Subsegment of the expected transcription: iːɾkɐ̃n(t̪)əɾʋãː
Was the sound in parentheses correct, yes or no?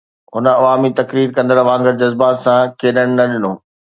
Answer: no